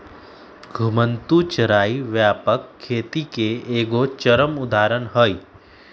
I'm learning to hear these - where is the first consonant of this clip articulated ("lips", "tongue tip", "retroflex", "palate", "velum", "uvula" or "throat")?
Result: velum